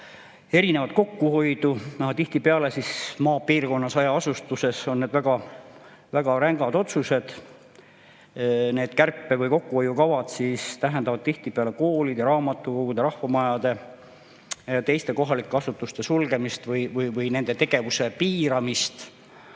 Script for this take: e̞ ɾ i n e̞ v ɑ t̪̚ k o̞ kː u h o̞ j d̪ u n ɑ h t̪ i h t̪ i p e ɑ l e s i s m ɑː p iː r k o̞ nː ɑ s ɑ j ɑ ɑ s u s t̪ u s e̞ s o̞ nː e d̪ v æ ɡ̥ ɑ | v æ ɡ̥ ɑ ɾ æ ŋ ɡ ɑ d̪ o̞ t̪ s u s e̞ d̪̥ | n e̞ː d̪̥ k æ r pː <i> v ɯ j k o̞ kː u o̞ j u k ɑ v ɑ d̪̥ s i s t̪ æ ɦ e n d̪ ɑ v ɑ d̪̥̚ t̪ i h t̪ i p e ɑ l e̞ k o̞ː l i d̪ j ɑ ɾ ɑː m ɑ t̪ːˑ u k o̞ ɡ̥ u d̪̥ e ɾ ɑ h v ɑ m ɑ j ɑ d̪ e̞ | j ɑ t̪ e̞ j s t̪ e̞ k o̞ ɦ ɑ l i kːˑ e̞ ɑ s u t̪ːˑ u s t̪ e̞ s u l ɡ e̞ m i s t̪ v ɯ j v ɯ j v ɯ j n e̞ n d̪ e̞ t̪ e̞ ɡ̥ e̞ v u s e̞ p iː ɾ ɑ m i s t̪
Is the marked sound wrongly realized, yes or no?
yes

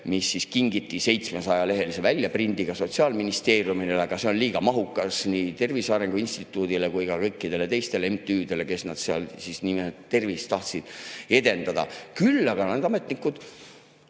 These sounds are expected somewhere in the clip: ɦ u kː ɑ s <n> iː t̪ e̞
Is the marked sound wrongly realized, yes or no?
no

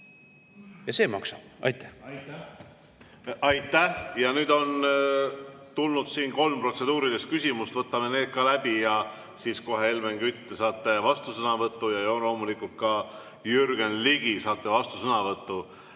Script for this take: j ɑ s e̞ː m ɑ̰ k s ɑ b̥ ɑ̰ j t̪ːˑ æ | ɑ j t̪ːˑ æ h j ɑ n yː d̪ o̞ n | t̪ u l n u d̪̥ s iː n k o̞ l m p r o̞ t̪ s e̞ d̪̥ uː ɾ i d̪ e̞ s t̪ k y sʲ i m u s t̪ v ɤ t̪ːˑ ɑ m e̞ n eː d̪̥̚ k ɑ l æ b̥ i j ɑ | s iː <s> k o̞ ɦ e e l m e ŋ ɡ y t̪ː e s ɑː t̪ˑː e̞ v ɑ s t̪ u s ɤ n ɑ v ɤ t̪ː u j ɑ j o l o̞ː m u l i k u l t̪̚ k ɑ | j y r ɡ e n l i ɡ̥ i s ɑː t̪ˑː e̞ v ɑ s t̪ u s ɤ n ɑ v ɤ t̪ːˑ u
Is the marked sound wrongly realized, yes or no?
no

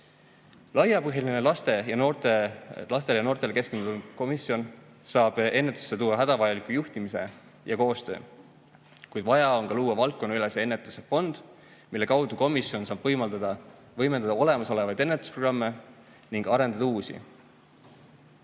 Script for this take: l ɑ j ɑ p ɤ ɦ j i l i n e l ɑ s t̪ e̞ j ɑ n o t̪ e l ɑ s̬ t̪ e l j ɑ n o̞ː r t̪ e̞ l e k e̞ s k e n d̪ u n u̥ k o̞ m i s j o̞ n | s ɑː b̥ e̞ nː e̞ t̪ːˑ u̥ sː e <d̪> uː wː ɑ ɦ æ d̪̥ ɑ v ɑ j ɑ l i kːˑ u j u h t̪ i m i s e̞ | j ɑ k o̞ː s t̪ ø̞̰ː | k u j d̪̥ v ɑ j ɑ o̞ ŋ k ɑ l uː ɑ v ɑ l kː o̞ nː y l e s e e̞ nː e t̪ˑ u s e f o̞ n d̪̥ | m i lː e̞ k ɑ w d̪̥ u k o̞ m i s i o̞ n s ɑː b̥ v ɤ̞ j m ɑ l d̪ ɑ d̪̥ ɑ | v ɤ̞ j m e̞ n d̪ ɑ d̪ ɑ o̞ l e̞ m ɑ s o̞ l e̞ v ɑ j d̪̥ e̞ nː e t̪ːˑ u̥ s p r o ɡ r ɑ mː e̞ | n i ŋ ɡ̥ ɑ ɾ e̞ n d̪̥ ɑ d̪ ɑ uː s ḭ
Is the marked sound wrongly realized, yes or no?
yes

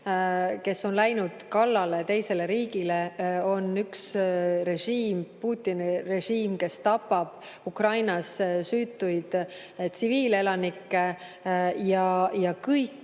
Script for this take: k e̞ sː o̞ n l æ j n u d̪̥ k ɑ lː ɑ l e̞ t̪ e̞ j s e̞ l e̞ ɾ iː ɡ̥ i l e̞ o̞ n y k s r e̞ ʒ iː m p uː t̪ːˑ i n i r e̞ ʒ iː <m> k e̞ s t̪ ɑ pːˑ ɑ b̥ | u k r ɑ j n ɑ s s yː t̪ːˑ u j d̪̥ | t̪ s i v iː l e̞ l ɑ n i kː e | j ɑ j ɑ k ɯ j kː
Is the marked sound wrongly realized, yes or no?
no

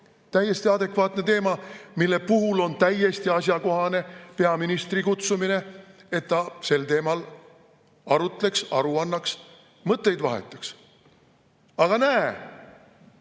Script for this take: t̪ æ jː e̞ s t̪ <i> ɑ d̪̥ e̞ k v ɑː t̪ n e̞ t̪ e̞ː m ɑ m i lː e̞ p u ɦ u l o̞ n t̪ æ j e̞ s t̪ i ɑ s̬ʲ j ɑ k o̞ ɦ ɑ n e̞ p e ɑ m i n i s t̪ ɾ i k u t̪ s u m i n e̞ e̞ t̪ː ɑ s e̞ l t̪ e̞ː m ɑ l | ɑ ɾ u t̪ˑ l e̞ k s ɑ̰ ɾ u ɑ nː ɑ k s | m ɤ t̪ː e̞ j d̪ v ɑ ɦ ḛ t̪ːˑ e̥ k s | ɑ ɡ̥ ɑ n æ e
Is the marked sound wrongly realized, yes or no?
no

